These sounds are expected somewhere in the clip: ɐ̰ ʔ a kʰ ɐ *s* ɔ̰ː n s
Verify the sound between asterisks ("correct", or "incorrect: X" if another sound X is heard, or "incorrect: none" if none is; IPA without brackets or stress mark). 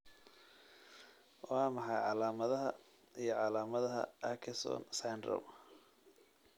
correct